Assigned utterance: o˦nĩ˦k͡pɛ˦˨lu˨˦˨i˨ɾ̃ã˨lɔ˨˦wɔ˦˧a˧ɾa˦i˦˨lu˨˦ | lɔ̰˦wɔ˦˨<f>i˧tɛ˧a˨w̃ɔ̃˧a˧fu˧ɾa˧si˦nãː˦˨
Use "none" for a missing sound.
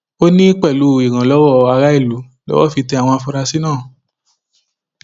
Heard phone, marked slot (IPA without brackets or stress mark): f